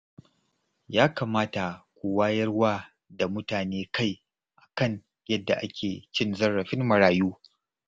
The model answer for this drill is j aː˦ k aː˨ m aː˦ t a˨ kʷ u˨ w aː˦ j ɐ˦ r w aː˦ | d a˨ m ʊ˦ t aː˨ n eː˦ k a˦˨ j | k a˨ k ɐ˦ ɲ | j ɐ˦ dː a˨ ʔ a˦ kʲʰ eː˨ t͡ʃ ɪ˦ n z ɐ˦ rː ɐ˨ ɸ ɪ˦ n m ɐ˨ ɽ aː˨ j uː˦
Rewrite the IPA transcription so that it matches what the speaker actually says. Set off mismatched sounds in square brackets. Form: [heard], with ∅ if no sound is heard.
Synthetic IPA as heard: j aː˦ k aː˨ m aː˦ t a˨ kʷ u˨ w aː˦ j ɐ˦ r w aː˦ | d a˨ m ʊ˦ t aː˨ n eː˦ k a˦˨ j | [ʔ] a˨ k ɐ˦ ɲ | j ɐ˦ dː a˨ ʔ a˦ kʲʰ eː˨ t͡ʃ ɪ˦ n z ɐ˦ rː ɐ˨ ɸ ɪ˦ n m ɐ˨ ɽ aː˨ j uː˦

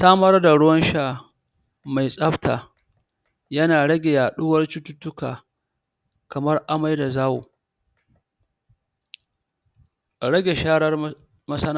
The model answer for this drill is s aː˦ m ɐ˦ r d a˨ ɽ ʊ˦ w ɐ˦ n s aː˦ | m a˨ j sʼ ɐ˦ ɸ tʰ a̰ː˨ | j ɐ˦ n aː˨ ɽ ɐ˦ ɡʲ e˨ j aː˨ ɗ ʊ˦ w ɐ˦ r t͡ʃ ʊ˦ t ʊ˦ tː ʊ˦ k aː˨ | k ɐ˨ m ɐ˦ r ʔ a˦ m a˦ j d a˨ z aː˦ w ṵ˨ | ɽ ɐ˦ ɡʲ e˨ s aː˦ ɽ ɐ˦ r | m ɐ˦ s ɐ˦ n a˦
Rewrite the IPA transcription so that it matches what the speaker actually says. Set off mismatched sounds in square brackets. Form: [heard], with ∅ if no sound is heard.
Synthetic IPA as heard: s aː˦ m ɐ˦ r d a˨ ɽ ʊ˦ w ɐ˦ n [ʃ] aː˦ | m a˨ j sʼ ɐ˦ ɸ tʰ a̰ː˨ | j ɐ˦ n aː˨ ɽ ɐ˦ ɡʲ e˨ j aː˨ ɗ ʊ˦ w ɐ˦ r t͡ʃ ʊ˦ t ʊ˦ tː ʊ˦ k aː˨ | k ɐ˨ m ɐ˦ r ʔ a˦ m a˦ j d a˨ z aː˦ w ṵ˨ | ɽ ɐ˦ ɡʲ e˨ [ʃ] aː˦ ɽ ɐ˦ r | m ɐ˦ s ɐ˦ n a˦

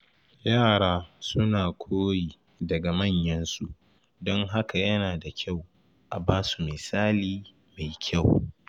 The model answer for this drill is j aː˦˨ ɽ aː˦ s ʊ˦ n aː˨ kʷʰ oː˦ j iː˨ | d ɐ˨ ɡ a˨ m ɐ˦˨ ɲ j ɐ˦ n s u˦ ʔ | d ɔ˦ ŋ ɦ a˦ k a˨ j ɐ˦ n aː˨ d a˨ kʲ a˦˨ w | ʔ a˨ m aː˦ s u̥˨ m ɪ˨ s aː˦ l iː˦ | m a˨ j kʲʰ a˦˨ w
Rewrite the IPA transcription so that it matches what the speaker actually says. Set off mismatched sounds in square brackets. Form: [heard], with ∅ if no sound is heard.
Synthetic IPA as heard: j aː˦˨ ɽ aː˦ s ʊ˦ n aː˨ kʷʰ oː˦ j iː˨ | d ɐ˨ ɡ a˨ m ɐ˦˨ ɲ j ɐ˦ n s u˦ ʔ | d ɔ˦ ŋ ɦ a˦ k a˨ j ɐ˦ n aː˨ d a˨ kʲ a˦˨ w | ʔ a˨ [b] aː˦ s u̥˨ m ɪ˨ s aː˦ l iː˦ | m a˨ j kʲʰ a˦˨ w

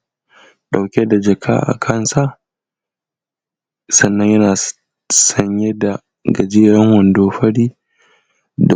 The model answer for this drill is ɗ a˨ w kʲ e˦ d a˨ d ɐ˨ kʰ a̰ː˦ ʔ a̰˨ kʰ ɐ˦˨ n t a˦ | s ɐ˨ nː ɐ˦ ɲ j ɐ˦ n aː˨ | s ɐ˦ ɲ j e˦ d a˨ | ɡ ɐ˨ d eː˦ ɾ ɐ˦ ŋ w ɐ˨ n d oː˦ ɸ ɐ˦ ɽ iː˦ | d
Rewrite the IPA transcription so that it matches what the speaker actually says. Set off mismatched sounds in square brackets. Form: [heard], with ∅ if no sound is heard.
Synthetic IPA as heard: ɗ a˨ w kʲ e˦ d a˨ [d͡ʒ] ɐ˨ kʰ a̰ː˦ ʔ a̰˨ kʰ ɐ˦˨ n [s] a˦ | s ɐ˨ nː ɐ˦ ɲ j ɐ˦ n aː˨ | s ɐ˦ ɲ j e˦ d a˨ | ɡ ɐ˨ [d͡ʒ] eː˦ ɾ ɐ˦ ŋ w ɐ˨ n d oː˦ ɸ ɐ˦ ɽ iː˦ | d

